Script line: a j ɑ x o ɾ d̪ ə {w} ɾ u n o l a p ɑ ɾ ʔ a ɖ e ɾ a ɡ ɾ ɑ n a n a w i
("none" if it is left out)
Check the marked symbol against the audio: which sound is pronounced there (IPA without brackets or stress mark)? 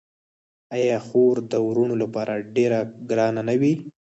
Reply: w